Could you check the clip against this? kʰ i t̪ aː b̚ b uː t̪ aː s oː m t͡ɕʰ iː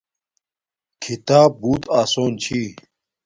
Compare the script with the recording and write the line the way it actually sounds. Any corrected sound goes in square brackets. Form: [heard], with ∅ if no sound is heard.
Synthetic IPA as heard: kʰ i t̪ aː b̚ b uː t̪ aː s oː [n] t͡ɕʰ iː

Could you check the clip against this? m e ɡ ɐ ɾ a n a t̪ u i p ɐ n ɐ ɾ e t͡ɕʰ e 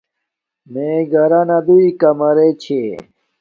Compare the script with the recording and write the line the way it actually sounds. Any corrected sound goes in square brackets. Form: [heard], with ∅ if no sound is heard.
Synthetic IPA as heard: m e ɡ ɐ ɾ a n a [d̪] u i [k] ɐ [m] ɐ ɾ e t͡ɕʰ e

